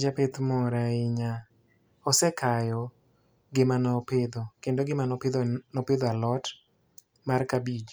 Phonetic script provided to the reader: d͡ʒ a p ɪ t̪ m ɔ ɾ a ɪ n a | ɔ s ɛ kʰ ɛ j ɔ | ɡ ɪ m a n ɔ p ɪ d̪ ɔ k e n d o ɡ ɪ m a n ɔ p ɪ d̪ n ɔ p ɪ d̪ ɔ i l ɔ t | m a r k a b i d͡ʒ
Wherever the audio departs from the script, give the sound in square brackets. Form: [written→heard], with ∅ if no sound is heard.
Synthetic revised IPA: d͡ʒ a p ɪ t̪ m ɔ ɾ a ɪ [n→ɲ] a | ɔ s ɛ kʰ [ɛ→a] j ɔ | ɡ ɪ m a n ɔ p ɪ d̪ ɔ k e n d o ɡ ɪ m a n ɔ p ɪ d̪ n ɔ p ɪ d̪ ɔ [i→a] l ɔ t | m a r k a b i d͡ʒ